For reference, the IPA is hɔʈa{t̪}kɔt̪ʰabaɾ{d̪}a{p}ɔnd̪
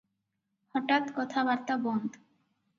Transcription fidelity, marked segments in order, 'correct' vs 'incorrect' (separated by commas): correct, incorrect, incorrect